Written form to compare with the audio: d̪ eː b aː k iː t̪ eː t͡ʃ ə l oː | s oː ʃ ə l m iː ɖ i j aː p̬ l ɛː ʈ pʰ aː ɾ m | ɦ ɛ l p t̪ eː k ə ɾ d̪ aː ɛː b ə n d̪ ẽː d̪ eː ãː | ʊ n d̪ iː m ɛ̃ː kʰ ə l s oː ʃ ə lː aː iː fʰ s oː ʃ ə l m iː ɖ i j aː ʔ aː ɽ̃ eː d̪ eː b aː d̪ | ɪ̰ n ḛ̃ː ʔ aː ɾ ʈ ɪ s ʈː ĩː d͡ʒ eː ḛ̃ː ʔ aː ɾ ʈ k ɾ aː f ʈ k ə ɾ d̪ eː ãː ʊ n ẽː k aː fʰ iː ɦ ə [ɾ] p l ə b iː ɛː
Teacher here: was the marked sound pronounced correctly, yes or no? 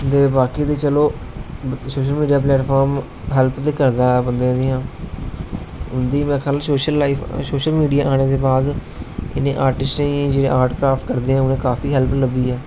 no